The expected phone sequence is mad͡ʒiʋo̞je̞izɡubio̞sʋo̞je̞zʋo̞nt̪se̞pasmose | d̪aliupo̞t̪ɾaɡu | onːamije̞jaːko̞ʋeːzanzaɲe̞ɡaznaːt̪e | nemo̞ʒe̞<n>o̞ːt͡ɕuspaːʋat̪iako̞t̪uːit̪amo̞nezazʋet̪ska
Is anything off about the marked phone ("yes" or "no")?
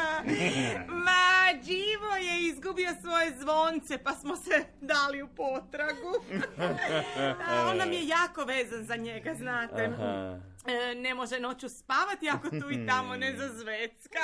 no